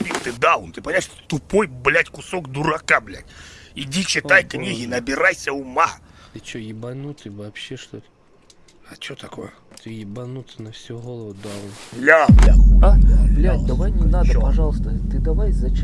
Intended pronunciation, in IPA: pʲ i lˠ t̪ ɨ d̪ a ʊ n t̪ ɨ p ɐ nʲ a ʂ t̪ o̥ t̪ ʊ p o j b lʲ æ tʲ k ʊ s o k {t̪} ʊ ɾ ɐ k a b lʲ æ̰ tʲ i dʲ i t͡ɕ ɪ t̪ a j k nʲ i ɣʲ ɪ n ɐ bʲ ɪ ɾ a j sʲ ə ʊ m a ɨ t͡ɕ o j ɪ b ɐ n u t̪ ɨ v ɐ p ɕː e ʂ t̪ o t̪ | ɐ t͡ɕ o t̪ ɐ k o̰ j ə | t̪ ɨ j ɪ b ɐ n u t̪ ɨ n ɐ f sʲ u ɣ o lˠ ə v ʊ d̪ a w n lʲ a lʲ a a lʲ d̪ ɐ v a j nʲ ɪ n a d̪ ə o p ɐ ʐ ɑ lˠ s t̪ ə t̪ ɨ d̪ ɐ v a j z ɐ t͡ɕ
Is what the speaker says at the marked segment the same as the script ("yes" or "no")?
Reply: no